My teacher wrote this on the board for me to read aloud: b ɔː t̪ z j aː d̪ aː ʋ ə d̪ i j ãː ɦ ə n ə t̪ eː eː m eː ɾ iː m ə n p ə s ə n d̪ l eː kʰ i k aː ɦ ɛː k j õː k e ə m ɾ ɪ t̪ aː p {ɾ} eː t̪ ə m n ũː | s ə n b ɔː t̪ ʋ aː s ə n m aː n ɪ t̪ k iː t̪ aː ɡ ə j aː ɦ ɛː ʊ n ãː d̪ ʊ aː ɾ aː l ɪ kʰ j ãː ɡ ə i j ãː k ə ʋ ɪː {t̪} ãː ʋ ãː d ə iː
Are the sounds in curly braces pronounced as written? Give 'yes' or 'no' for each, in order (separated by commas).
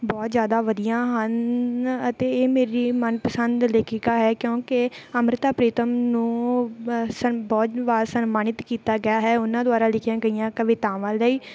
yes, yes